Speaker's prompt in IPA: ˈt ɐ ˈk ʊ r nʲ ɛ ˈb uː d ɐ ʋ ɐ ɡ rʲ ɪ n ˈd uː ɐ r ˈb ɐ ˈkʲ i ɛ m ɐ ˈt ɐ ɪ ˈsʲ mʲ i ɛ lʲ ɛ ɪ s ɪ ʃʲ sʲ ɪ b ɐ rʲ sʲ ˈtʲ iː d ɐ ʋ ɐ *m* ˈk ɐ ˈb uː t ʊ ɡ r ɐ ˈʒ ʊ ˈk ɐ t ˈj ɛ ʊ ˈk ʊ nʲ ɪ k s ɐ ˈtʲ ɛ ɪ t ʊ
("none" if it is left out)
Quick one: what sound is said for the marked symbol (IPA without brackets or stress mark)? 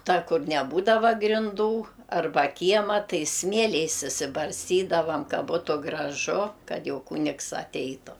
m